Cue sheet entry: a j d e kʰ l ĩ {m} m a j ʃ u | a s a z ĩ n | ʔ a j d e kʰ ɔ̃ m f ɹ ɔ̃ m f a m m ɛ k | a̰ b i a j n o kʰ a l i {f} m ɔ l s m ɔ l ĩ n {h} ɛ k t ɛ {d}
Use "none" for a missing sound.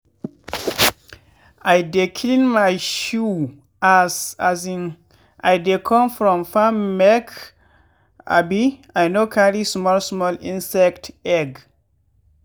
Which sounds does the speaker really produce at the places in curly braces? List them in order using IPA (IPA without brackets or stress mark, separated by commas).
n, s, s, ɡ